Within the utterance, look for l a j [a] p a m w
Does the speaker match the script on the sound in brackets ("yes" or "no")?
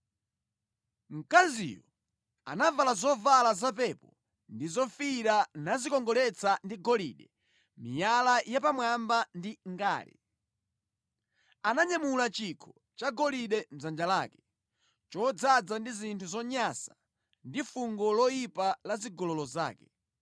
yes